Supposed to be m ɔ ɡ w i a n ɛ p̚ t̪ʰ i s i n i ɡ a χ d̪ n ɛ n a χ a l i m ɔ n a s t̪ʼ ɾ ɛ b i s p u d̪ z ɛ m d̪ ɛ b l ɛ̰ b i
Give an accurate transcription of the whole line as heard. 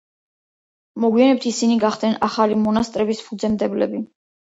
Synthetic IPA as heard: m ɔ ɡ w i a n ɛ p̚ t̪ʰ i s i n i ɡ a χ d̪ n ɛ n a χ a l i m ɔ n a s t̪ʼ ɾ ɛ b i s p u d̪ z ɛ m d̪ ɛ b l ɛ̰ b i